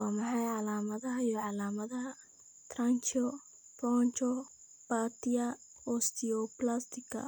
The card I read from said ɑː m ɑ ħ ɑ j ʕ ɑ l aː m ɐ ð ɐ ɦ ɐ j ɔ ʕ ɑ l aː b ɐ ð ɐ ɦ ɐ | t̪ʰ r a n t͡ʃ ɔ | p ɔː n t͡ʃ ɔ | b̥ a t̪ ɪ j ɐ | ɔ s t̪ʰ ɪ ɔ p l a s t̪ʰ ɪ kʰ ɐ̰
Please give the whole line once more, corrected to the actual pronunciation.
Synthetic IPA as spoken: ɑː m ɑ ħ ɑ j ʕ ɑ l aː m ɐ ð ɐ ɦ ɐ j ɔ ʕ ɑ l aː m ɐ ð ɐ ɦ ɐ | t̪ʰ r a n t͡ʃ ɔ | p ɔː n t͡ʃ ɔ | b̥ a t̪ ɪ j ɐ | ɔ s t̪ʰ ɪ ɔ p l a s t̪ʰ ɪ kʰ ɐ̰